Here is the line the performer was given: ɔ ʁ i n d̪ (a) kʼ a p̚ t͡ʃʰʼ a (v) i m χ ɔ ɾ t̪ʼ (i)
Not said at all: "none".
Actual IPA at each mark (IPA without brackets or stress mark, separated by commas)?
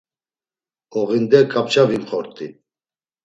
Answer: ɛ, v, i